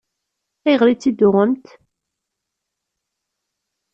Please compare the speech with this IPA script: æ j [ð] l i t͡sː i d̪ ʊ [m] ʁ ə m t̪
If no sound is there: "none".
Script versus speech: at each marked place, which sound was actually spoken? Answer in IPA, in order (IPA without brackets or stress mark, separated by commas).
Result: ʁ, none